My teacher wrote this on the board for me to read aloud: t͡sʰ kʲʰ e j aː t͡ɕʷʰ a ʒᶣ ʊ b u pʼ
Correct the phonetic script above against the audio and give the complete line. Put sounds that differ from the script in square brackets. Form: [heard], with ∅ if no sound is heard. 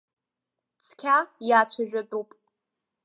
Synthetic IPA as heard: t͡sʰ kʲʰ [a] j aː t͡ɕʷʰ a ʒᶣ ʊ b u pʼ